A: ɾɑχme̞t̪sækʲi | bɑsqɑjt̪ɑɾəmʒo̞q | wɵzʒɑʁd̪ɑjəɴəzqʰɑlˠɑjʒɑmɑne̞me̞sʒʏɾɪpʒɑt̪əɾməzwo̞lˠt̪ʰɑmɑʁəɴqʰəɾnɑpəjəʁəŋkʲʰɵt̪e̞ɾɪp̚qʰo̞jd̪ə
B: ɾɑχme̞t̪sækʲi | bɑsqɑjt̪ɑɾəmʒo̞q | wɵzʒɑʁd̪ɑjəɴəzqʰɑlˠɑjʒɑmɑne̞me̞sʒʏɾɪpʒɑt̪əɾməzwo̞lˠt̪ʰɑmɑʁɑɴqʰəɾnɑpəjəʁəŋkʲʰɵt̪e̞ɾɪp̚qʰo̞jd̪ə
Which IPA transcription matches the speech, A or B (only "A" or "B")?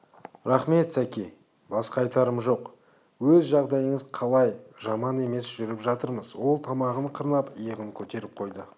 A